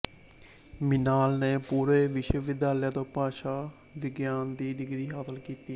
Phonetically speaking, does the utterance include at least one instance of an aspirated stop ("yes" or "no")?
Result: no